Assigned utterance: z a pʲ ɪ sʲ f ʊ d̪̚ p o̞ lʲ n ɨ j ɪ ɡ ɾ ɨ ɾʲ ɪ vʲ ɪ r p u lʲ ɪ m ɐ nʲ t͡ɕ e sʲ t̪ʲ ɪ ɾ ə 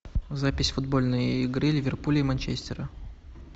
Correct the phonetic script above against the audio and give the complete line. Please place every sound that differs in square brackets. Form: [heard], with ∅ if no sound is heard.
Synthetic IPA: z a pʲ ɪ sʲ f ʊ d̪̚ [b] o̞ lʲ n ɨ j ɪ ɡ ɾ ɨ [lʲ] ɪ vʲ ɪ r p u lʲ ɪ m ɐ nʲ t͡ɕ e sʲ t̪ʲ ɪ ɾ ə